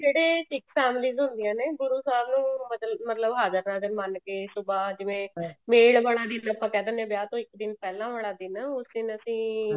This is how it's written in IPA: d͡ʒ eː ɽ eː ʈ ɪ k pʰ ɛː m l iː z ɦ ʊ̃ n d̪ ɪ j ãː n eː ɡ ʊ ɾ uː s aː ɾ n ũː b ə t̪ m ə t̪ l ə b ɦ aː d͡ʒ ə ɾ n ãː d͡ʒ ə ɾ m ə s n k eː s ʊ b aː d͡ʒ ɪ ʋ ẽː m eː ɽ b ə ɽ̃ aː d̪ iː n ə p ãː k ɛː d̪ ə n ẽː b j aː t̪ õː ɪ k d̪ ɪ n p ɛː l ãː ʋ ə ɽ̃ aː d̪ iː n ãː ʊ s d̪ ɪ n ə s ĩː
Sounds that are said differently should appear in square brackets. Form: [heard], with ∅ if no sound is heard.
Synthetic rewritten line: d͡ʒ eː ɽ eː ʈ ɪ k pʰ ɛː m l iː z ɦ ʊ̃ n d̪ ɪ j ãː n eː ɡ ʊ ɾ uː s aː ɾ n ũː [m] ə t̪ m ə t̪ l ə b ɦ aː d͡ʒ ə ɾ n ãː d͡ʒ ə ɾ m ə [∅] n k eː s ʊ b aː d͡ʒ ɪ ʋ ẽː m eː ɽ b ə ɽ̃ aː d̪ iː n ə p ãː k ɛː d̪ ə n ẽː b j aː t̪ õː ɪ k d̪ ɪ n p ɛː l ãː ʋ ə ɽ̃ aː d̪ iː n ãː ʊ s d̪ ɪ n ə s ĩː